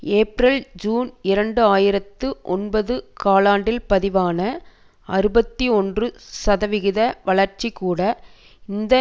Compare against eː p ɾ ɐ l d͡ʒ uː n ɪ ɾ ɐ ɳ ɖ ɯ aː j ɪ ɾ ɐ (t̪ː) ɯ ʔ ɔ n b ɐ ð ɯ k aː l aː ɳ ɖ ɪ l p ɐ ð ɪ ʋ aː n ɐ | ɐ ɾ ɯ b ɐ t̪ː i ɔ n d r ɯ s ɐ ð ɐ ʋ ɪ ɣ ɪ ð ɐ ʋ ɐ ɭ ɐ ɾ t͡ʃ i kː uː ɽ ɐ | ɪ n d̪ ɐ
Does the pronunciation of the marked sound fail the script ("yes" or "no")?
no